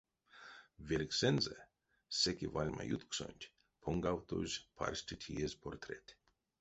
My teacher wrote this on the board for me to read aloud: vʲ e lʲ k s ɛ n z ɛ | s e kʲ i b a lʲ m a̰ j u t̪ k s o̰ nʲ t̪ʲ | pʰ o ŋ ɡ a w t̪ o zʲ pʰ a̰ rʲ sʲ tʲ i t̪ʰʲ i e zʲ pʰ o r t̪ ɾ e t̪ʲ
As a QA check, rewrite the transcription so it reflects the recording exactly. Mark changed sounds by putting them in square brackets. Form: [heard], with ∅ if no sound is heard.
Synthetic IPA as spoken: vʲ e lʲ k s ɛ n z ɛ | s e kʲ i [v] a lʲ m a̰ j u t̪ k s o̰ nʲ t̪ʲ | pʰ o ŋ ɡ a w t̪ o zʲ pʰ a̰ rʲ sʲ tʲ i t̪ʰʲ i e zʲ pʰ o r t̪ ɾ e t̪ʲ